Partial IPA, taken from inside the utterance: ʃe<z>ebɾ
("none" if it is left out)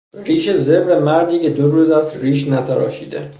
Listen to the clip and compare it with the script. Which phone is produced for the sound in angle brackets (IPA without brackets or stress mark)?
z